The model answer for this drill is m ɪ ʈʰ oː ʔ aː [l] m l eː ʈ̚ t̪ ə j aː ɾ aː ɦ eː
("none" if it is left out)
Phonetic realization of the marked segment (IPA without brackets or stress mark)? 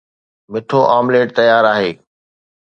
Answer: none